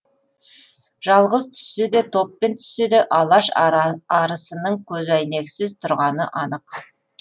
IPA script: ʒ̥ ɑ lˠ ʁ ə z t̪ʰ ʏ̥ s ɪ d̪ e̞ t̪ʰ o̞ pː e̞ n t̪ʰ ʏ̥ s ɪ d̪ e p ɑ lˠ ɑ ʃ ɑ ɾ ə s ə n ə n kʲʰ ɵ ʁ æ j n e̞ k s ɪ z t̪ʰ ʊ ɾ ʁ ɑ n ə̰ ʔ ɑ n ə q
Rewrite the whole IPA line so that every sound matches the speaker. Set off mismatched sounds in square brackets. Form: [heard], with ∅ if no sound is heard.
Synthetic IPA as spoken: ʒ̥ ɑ lˠ ʁ ə z t̪ʰ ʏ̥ s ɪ d̪ e̞ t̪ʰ o̞ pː e̞ n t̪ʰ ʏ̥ s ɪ d̪ e [ʔ] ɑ lˠ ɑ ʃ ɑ ɾ ə s ə n ə [ɴ] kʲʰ ɵ [z] æ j n e̞ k s ɪ z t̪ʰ ʊ ɾ ʁ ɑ n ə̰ ʔ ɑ n ə q